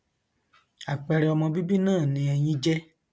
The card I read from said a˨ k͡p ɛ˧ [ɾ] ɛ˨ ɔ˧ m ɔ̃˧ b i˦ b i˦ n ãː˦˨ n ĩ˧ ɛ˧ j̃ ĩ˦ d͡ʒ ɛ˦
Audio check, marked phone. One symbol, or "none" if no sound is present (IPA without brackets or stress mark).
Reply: ɾ